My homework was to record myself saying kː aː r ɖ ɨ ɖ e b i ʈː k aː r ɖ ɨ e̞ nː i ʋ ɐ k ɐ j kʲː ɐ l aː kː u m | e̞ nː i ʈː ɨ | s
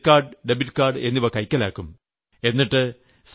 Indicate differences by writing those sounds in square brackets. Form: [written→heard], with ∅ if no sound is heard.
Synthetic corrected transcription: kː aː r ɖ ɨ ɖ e b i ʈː k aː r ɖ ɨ e̞ nː i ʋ ɐ k ɐ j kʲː ɐ l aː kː u m | e̞ nː i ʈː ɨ | s